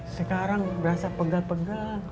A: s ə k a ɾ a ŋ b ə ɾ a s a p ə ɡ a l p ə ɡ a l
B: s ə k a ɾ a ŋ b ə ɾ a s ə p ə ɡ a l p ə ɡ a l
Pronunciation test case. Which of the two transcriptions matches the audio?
A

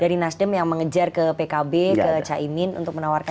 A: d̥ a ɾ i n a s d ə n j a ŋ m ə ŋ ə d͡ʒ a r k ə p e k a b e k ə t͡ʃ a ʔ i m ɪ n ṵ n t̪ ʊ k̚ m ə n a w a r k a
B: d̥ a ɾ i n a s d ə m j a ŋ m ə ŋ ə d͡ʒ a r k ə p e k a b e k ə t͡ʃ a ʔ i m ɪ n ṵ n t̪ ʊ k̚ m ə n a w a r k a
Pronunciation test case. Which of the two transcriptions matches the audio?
B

